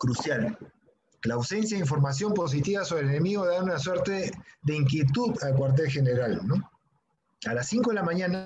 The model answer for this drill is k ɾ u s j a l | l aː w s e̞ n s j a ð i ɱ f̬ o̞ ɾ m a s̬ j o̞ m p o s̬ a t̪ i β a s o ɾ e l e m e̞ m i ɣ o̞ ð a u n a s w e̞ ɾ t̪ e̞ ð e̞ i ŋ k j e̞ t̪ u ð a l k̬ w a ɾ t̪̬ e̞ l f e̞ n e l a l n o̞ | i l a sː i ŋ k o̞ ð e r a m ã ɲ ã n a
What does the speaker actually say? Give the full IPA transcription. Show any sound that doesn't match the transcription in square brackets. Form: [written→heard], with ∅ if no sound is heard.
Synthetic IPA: k ɾ u s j a l | l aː w s e̞ n s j a ð i ɱ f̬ o̞ ɾ m a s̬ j o̞ m p o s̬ [a→i] t̪ i β a s o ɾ e l e [m→n] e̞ m i ɣ o̞ ð a u n a s w e̞ ɾ t̪ e̞ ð e̞ i ŋ k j e̞ t̪ u ð a l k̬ w a ɾ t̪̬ e̞ l [f→x] e̞ n e [l→ɾ] a l n o̞ | [i→a] l a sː i ŋ k o̞ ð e [r→l] a m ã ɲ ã n a